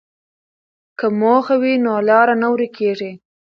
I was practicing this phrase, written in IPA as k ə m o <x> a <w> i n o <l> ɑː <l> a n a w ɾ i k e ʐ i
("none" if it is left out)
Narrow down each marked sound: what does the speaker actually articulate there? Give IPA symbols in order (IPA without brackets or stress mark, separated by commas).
x, w, l, ɾ